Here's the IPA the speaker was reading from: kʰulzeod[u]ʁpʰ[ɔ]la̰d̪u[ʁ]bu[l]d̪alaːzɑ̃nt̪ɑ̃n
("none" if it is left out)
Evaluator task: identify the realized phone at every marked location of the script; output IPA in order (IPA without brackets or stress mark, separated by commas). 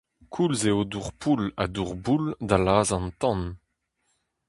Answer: u, u, ʁ, l